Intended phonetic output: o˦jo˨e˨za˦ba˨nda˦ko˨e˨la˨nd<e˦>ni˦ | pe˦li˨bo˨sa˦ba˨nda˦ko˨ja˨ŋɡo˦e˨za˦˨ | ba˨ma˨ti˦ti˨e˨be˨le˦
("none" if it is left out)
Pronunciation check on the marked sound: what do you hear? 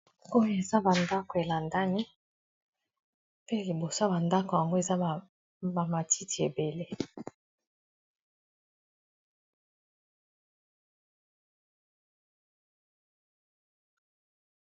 a˦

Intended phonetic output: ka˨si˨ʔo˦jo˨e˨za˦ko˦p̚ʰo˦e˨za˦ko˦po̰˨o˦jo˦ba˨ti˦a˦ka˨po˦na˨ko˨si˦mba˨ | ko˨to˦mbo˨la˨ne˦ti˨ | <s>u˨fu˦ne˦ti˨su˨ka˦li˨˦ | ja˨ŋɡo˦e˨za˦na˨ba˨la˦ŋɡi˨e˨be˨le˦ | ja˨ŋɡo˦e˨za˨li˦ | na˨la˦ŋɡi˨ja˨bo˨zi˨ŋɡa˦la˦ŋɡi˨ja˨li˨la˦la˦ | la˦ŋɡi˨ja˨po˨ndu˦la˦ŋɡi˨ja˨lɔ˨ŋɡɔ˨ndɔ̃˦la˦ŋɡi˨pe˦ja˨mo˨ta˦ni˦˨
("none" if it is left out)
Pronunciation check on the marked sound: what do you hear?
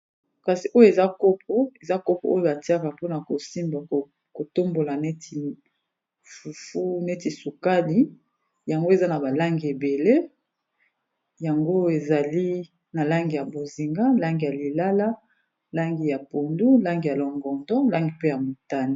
f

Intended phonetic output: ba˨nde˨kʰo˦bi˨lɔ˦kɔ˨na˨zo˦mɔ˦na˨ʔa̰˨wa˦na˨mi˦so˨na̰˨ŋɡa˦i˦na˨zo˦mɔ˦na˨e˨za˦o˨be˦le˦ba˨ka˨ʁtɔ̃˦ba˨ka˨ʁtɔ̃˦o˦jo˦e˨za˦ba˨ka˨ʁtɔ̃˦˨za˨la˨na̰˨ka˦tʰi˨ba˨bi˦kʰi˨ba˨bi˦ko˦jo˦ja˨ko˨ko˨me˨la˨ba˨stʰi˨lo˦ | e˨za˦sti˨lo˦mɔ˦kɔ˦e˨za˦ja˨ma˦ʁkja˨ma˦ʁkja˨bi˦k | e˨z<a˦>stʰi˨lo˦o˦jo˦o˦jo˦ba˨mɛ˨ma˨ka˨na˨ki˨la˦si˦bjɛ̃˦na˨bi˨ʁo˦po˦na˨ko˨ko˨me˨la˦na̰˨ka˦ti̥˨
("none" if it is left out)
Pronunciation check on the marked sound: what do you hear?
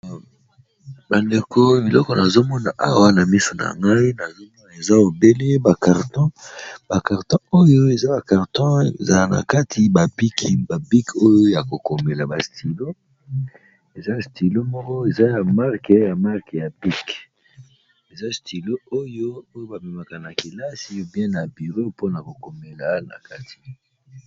a˦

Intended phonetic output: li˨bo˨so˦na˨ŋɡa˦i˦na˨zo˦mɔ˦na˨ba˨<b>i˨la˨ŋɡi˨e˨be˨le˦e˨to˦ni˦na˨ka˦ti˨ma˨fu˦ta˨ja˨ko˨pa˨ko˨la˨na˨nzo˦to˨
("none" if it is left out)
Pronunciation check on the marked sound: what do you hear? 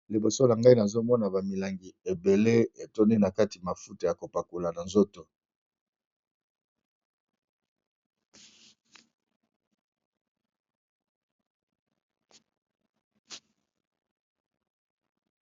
m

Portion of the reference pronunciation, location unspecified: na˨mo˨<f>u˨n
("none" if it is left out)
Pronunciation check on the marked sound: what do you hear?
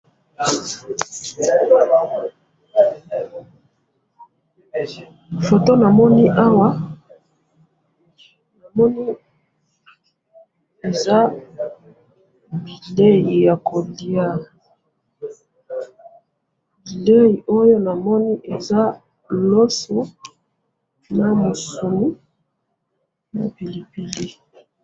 s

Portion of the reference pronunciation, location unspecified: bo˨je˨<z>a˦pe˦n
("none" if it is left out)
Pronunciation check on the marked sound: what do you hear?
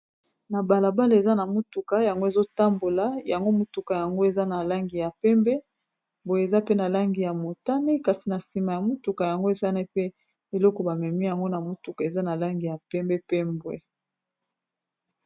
z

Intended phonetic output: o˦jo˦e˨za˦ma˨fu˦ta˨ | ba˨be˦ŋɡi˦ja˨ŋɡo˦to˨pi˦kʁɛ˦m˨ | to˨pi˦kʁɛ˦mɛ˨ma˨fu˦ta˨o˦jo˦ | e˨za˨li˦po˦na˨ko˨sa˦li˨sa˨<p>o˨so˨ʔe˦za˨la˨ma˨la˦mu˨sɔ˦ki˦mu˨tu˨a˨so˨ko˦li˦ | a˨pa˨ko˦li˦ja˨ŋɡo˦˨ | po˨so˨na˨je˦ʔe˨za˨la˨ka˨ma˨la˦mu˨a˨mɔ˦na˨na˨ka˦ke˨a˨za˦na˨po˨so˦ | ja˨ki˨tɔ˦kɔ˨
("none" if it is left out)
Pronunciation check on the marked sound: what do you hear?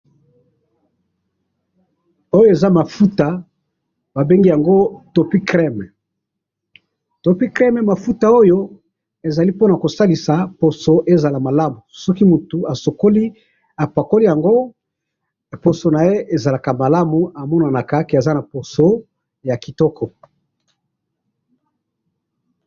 p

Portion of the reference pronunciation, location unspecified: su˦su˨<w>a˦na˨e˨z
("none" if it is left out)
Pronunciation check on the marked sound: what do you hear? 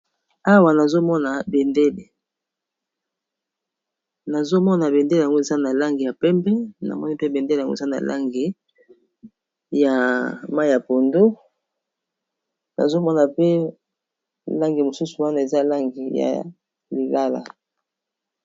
w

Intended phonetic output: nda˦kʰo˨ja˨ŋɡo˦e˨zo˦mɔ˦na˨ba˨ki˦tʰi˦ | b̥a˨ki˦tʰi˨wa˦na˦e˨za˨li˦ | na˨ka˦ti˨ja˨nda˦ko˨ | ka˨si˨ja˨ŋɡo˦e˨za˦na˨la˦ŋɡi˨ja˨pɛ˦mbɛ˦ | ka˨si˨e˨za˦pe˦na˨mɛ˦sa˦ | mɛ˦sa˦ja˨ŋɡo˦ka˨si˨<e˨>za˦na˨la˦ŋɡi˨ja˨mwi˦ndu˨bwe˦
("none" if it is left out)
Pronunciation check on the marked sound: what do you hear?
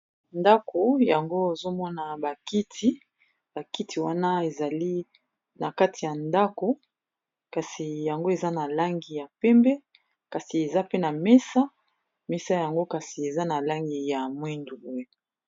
e˨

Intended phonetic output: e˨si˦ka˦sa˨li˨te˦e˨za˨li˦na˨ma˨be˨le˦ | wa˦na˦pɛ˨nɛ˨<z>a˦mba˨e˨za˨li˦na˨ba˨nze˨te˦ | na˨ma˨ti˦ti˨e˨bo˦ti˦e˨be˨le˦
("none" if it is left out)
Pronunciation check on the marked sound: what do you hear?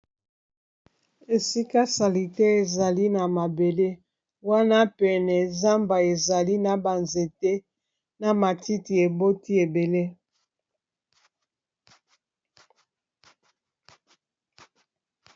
z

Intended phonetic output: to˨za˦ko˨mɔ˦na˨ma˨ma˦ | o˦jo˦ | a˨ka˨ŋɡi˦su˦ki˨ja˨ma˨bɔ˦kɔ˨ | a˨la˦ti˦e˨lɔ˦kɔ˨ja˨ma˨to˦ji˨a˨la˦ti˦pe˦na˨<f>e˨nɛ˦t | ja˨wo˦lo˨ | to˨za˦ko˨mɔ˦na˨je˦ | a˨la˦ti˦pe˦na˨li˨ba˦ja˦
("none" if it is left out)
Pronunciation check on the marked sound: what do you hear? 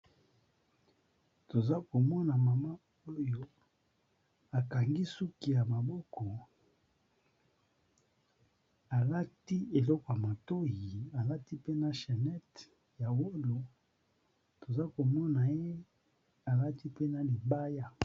ʃ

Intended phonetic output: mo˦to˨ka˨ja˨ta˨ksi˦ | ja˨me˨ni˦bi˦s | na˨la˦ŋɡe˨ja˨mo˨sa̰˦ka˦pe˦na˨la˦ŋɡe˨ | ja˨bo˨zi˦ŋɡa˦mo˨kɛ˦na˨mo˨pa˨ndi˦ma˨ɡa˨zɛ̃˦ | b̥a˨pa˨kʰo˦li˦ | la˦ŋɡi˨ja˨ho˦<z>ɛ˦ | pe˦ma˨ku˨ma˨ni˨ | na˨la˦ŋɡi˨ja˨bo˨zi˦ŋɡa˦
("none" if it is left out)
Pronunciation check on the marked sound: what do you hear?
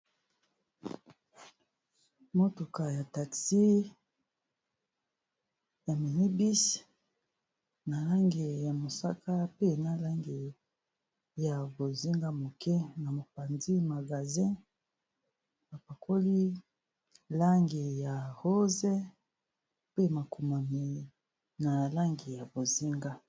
z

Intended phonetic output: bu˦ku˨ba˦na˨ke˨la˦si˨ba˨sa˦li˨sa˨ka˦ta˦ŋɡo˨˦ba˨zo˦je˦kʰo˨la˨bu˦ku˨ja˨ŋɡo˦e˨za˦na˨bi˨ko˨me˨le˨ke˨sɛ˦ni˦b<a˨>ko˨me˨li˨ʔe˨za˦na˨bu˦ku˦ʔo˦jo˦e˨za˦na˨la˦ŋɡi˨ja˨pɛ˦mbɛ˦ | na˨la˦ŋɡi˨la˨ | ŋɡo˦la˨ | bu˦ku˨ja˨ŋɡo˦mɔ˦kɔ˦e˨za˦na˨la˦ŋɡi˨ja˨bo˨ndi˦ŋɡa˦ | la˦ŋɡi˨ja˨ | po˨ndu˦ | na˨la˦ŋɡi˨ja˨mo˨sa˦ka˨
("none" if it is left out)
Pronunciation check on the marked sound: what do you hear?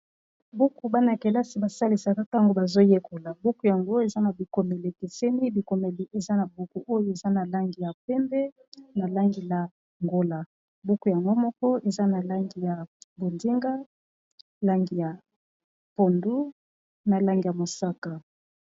i˨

